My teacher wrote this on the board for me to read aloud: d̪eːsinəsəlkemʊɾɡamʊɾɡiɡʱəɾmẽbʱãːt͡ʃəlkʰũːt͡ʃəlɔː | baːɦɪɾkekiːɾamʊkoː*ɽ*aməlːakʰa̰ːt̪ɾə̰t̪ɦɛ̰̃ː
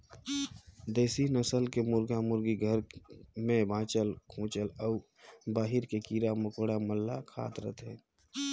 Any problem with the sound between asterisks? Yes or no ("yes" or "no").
no